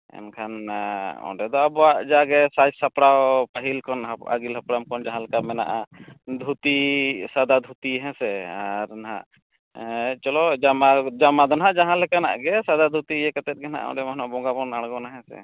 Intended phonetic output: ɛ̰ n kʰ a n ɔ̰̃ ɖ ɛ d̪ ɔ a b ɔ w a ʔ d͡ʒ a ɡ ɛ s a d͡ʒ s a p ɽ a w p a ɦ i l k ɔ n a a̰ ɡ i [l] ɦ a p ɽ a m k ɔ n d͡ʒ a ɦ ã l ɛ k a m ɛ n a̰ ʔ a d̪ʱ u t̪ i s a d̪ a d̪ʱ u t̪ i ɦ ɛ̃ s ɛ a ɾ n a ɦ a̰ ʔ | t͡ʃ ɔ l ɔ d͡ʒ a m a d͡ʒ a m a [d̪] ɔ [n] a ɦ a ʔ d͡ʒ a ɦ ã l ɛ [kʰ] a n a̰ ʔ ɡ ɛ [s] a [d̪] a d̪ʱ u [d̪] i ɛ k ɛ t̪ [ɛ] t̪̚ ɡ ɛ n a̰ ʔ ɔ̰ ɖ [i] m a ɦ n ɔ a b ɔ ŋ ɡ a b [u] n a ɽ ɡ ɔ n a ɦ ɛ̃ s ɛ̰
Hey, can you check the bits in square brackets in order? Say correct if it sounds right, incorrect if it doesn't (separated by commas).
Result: correct, correct, correct, incorrect, correct, correct, incorrect, correct, incorrect, incorrect